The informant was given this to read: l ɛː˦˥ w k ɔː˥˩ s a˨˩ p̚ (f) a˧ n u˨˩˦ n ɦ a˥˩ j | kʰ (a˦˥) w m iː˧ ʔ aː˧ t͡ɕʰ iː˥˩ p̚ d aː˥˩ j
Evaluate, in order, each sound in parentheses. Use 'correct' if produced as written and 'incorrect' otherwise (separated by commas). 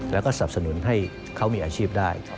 incorrect, correct